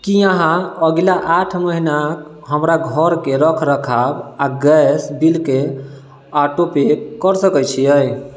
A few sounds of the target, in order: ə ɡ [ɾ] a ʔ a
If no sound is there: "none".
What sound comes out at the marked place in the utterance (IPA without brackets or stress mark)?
l